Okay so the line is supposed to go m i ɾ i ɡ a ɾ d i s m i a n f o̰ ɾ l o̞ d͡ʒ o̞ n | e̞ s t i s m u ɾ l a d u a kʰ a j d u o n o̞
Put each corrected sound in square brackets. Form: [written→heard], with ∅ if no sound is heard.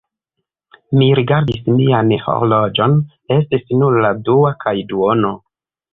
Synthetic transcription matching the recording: m i ɾ i ɡ a ɾ d i s m i a n [f→h] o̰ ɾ l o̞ d͡ʒ o̞ n | e̞ s t i s [m→n] u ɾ l a d u a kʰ a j d u o n o̞